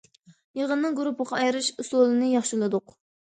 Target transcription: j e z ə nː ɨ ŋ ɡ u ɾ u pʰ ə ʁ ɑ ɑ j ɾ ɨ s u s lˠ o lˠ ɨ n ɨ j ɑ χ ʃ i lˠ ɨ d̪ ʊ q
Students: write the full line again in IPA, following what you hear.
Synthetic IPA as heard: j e ʁ ə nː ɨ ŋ ɡ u ɾ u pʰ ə ʁ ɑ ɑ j ɾ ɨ ʃ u s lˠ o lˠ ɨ n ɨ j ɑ χ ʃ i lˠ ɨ d̪ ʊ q

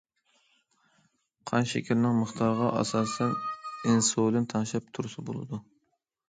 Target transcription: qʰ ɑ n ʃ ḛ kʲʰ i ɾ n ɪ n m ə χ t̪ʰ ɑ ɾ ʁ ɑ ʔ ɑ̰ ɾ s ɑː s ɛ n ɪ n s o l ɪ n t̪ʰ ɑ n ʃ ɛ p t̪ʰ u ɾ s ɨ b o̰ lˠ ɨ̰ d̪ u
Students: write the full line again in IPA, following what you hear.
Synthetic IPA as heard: qʰ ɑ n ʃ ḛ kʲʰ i ɾ n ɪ ŋ m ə χ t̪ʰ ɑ ɾ ʁ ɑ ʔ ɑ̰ s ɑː s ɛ n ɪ n s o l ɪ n t̪ʰ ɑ n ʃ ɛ p t̪ʰ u ɾ s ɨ b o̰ lˠ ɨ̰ d̪ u

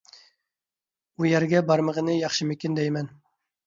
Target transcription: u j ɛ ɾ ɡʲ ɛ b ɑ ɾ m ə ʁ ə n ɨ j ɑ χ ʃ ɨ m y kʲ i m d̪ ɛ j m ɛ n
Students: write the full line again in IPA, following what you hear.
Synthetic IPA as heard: u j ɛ ɾ ɡʲ ɛ b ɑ ɾ m ə ʁ ə n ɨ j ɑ χ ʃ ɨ m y kʲ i n d̪ ɛ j m ɛ n

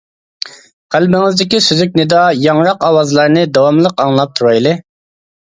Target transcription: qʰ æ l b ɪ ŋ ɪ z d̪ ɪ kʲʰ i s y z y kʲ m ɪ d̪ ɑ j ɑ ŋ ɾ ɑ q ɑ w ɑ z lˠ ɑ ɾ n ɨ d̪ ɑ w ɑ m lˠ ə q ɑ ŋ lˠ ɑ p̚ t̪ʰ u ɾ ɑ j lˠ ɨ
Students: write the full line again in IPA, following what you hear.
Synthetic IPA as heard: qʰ æ l b ɪ ŋ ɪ z d̪ ɪ kʲ i s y z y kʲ n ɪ d̪ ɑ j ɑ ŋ ɾ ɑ q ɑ w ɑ z lˠ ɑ ɾ n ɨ d̪ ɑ w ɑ m lˠ ə q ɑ ŋ lˠ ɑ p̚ t̪ʰ u ɾ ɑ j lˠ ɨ

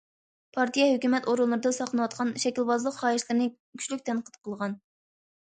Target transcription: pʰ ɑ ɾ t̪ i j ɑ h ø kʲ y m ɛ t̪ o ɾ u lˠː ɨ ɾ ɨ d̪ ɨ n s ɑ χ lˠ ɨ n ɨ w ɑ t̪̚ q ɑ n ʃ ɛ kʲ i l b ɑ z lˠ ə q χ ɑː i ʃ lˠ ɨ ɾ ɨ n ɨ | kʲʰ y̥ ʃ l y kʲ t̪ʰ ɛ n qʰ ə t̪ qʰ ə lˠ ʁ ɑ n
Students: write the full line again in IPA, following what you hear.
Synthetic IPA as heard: pʰ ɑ ɾ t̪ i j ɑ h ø kʲ y m ɛ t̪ o ɾ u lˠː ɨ ɾ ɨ d̪ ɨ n s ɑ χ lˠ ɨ n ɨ w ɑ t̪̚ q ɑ n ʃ ɛ kʲ i l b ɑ z lˠ ə q χ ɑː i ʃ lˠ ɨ ɾ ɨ n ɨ | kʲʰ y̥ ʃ l y kʲ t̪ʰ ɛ n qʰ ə t̪ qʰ ə lˠ ʁ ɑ n

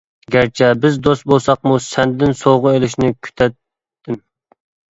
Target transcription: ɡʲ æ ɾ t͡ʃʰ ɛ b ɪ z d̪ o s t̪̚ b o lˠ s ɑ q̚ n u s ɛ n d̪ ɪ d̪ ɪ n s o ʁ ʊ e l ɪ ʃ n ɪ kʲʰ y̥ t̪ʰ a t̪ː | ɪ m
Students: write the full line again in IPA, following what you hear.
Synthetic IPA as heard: ɡʲ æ ɾ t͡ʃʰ ɛ b ɪ z d̪ o s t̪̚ b o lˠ s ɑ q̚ m u s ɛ n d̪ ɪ d̪ ɪ n s o ʁ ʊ e l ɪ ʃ n ɪ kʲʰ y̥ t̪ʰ ɛ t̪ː | ɪ m

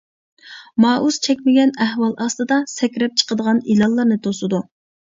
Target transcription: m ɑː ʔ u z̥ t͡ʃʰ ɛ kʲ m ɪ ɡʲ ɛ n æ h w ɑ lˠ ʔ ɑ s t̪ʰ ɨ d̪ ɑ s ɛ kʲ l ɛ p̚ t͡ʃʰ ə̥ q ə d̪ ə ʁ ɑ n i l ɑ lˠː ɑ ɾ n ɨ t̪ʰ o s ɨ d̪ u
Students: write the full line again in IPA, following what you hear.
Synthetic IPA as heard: m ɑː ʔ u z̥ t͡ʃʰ ɛ kʲ m ɪ ɡʲ ɛ n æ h w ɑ lˠ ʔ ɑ s t̪ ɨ d̪ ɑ s ɛ kʲ ɾ ɛ p̚ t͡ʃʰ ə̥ q ə d̪ ə ʁ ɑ n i l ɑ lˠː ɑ ɾ n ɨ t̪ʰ o s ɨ d̪ u

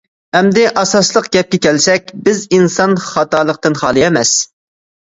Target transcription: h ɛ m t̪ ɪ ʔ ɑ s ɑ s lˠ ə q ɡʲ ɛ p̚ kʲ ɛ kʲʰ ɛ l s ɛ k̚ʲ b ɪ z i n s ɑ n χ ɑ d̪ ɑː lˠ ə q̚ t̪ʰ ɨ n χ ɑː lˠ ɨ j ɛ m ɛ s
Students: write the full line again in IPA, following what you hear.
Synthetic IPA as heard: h ɛ m d̪ ɪ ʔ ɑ s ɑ s lˠ ə q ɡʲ ɛ p̚ kʲ ɛ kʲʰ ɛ l s ɛ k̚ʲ b ɪ z i n s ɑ n χ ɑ t̪ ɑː lˠ ə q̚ t̪ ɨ n χ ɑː lˠ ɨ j ɛ m ɛ s

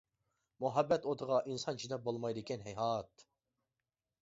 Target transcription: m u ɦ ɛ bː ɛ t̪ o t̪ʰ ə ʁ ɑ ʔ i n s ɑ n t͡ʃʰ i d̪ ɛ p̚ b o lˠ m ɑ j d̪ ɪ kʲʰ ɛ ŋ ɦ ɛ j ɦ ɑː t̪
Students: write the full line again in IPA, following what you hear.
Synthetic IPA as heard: m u ɦ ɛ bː ɛ t̪ o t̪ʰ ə ʁ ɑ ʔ i n s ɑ n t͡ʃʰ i d̪ ɛ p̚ b o lˠ m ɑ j d̪ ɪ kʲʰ ɛ n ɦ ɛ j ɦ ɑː t̪

